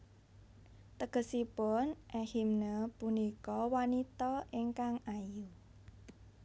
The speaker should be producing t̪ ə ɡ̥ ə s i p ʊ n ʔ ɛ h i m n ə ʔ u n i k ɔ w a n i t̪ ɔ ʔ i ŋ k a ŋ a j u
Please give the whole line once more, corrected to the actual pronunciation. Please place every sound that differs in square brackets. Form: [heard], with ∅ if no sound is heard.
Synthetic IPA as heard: t̪ ə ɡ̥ ə s i p ʊ n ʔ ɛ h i m n ə [p] u n i k ɔ w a n i t̪ ɔ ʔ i ŋ k a ŋ a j u